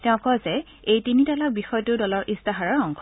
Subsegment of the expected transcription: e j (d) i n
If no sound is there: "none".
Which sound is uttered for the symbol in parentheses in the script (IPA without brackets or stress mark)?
t